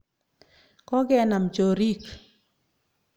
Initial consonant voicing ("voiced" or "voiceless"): voiceless